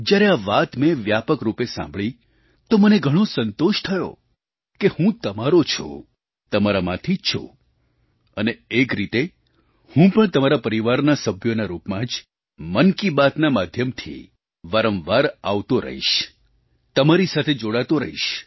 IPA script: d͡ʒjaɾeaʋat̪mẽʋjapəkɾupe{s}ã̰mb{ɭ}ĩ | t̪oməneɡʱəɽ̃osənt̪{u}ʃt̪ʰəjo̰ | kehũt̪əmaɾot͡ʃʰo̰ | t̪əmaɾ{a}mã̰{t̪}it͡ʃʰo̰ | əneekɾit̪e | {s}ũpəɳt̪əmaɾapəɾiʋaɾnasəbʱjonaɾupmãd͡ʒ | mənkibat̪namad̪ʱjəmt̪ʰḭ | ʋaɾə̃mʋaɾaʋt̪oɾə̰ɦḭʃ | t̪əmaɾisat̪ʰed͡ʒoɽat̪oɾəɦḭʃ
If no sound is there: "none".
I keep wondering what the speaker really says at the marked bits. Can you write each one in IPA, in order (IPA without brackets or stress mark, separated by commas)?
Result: s, ɭ, o, a, t̪ʰ, h